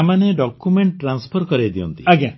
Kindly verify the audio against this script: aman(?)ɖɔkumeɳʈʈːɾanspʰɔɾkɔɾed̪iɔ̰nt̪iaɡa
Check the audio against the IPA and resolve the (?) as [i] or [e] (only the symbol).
e